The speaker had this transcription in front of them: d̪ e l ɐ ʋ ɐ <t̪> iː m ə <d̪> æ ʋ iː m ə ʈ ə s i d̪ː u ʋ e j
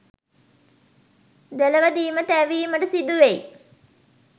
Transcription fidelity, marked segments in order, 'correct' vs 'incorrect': incorrect: d̪, incorrect: t̪

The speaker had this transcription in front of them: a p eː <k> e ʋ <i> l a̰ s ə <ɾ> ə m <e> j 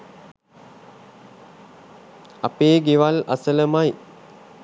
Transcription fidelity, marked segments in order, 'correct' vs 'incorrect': incorrect: ɡ, incorrect: a, incorrect: l, incorrect: a

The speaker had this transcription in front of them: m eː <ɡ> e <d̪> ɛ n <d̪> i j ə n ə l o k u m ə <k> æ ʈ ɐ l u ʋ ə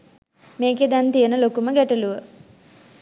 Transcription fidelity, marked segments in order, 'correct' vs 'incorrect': incorrect: k, correct, incorrect: t̪, incorrect: ɡ

